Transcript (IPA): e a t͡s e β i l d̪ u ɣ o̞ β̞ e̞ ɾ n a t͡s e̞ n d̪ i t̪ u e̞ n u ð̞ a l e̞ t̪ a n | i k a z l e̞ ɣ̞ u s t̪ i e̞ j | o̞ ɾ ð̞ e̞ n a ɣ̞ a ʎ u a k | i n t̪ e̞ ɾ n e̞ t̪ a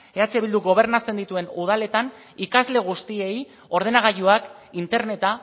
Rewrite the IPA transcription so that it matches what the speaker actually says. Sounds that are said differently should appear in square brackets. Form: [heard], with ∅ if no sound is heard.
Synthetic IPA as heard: e a t͡s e β i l d̪ u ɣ o̞ β̞ e̞ ɾ n a t͡s e̞ n d̪ i t̪ u e̞ n u ð̞ a l e̞ t̪ a n | i k a z l e̞ ɣ̞ u s t̪ i e̞ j | o̞ ɾ ð̞ e̞ n a ɣ̞ a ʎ u a k | i n t̪ e̞ ɾ n e̞ t̪ a